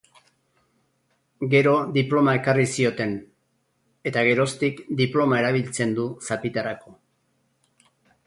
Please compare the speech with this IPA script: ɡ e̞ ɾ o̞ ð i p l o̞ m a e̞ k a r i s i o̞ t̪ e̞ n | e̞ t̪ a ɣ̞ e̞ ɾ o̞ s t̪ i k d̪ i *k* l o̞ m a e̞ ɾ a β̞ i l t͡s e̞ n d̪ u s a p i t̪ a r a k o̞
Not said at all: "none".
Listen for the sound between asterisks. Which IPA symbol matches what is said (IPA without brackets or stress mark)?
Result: p